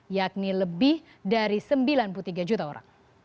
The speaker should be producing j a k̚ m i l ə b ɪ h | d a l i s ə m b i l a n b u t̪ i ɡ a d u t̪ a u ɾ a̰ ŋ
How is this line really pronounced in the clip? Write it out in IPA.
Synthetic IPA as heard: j a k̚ n i l ə b ɪ h | d a ɾ i s ə m b i l a n p u t̪ i ɡ a d͡ʒ u t̪ a o ɾ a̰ ŋ